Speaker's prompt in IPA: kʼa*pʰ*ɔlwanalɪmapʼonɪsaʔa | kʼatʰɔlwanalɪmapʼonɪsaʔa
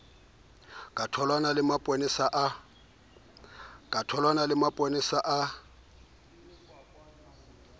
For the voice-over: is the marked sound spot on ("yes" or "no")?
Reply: no